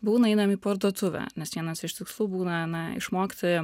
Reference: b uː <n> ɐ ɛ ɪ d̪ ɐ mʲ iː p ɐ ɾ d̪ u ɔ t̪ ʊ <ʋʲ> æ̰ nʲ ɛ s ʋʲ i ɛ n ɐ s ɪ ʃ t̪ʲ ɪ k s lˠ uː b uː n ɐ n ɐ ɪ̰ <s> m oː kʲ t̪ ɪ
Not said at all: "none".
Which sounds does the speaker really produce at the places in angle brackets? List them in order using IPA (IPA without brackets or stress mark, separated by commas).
n, ʋʲ, ʃ